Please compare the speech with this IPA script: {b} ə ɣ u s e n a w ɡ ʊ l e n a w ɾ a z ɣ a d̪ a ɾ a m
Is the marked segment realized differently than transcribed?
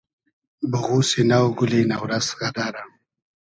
no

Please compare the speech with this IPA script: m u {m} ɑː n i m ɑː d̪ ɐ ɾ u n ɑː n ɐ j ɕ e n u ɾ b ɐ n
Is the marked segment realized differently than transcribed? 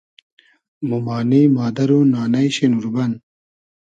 no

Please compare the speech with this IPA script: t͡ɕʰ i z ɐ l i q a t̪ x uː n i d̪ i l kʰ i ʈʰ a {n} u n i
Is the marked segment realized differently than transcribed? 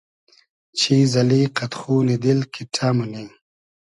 yes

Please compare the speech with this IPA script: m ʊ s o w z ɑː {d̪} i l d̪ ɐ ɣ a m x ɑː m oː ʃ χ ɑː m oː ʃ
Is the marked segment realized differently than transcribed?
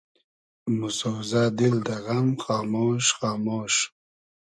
no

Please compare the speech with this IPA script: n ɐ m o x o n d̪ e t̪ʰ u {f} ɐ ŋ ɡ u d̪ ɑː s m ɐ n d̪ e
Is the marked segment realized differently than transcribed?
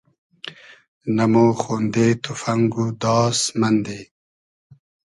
no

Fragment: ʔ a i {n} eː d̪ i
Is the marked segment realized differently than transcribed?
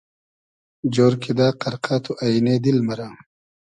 no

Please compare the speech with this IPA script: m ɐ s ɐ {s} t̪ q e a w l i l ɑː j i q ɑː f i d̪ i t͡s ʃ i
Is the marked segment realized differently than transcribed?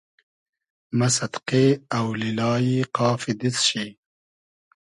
yes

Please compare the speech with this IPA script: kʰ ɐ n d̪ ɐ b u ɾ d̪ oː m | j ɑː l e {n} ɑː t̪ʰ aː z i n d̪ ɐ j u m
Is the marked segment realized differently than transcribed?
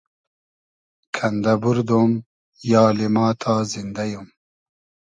yes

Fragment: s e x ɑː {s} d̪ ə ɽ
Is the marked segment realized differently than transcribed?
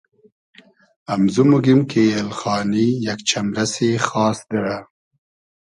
no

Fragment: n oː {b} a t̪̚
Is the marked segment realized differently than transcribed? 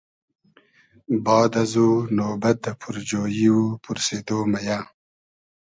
no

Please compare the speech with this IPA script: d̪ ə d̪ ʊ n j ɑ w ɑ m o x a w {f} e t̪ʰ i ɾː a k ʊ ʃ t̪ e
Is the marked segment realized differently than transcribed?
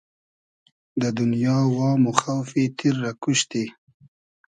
no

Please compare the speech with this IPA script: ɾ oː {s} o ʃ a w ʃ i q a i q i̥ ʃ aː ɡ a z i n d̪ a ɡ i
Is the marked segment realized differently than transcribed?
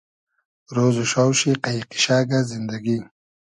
yes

